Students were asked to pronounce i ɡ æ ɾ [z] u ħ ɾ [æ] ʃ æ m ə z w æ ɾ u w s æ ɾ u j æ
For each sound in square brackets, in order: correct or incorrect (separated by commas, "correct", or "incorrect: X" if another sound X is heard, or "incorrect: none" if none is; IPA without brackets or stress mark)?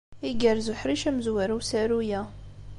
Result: correct, incorrect: i